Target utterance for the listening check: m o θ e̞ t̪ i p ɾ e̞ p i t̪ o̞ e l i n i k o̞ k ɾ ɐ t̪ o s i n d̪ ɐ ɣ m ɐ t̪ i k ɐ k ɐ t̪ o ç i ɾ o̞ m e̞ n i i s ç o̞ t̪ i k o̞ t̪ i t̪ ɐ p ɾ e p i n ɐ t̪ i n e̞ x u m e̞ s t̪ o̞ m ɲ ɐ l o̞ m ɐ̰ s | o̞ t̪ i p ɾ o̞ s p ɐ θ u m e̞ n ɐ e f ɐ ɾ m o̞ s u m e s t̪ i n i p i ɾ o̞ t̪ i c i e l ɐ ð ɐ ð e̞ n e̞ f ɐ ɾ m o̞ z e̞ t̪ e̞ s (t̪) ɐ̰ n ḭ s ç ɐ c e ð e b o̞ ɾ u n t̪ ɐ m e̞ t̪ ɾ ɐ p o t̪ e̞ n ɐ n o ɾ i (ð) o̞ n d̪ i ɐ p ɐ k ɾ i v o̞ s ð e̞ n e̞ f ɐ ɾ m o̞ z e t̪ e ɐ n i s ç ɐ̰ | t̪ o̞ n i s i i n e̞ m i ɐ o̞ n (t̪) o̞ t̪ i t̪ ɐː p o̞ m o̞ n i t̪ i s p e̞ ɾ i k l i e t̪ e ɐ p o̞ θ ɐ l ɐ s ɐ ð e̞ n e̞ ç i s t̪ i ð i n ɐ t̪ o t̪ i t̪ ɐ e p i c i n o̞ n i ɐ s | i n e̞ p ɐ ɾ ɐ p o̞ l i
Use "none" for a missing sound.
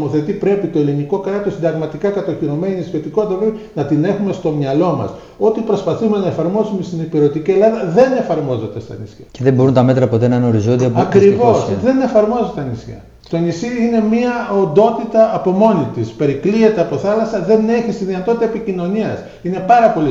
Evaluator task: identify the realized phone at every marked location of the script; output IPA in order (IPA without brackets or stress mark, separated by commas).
t̪, z, d̪